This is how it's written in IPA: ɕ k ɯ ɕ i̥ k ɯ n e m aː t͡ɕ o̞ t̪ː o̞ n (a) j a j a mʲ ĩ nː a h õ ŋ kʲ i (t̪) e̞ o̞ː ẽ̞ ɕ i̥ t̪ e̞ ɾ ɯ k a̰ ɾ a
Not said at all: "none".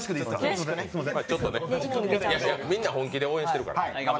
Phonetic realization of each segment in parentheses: e, d̪

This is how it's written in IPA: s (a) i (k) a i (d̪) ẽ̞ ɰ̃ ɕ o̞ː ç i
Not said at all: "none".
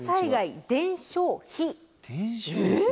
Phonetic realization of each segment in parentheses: a, ɡ, d̪

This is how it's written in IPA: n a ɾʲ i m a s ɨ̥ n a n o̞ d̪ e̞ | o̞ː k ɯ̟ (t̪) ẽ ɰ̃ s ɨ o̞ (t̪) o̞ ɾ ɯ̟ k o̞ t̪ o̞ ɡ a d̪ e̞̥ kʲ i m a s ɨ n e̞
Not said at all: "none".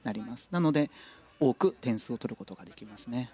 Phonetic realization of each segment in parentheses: t̪, t̪

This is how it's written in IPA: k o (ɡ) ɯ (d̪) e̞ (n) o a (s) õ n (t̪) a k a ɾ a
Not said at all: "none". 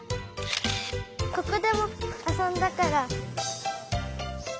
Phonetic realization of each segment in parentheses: k, d̪, m, s, d̪

